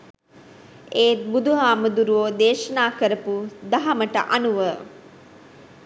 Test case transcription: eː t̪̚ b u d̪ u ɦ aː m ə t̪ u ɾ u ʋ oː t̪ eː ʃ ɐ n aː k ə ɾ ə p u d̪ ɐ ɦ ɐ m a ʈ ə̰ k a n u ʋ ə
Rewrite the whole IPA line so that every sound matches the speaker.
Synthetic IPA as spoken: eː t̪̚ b u d̪ u ɦ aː m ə d̪ u ɾ u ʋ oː d̪ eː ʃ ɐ n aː k ə ɾ ə p u d̪ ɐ ɦ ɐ m ə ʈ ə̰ ʔ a n u ʋ ə